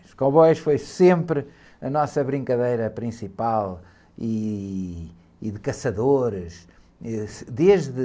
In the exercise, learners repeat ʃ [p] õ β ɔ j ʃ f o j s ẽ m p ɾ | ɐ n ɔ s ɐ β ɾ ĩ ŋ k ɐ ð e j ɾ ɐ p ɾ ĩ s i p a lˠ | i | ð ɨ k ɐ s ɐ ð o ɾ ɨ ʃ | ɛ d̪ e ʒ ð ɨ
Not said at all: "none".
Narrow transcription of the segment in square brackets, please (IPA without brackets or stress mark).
k